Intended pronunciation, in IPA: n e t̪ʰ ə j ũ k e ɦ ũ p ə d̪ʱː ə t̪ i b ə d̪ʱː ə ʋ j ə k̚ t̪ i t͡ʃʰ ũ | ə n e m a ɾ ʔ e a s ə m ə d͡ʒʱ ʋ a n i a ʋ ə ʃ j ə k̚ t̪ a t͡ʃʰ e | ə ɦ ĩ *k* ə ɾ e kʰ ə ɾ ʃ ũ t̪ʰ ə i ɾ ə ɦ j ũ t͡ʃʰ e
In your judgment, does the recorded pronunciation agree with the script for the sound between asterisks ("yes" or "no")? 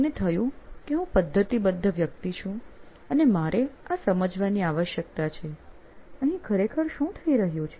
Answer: no